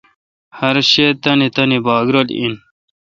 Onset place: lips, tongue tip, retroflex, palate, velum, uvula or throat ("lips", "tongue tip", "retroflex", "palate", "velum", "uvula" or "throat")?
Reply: throat